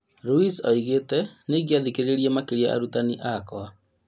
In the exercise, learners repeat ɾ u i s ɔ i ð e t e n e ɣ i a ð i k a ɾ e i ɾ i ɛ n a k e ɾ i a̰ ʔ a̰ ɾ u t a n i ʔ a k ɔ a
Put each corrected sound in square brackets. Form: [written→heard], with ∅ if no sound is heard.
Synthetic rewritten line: ɾ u i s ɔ i [ð→ɣ] e t [e→ɛ] n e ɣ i a ð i k [a→e] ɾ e [i→e] ɾ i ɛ [n→m] a k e ɾ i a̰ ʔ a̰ ɾ u t a n i ʔ a k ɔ a